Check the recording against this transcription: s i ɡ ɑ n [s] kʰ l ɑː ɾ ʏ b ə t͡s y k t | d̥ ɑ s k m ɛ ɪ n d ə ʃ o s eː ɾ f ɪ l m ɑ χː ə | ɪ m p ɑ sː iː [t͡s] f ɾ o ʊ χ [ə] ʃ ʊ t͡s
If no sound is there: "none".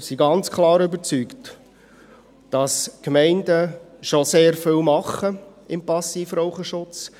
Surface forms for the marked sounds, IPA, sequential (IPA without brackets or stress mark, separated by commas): t͡s, none, ə